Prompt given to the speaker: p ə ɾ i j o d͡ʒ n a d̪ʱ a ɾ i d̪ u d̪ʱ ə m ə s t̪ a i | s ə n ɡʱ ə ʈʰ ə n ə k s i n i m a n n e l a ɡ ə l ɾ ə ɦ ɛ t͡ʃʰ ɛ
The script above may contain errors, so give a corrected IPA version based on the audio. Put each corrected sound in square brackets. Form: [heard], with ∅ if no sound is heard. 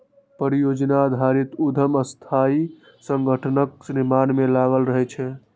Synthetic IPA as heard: p ə ɾ i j o d͡ʒ n a d̪ʱ a ɾ i [t̪] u d̪ʱ ə m ə s [t̪ʰ] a i | s ə [ŋ] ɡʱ ə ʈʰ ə n ə k s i n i m a n [m] e l a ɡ ə l ɾ ə ɦ ɛ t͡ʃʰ ɛ